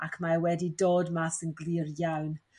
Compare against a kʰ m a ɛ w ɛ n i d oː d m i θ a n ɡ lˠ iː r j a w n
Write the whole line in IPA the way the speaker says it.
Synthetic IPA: a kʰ m a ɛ w ɛ d i d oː d m a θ ə n ɡ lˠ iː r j a w n